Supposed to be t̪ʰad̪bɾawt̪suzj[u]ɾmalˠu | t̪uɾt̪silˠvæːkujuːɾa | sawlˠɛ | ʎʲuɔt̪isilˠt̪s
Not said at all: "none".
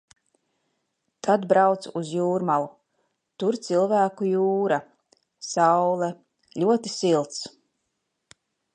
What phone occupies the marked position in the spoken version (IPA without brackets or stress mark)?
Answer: uː